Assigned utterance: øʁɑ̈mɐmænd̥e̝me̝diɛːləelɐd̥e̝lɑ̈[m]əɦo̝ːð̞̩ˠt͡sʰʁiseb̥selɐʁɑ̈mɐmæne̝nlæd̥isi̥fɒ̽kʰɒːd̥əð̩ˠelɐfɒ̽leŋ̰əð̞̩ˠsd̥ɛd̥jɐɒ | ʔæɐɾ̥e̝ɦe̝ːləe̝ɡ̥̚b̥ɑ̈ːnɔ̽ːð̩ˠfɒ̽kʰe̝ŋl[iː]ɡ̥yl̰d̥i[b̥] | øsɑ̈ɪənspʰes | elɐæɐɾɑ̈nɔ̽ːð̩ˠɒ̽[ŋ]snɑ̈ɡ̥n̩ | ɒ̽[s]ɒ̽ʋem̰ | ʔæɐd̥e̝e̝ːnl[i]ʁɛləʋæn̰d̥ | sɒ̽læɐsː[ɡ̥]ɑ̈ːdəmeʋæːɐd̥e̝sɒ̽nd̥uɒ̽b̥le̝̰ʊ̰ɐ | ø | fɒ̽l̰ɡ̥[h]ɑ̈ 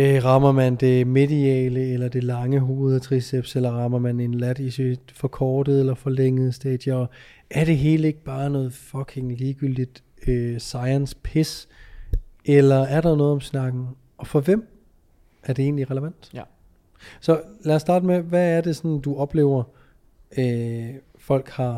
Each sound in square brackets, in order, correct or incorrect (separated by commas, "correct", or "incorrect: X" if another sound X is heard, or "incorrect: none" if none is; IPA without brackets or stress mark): incorrect: ŋ, correct, incorrect: d̥, incorrect: m, incorrect: f, correct, incorrect: d̥, correct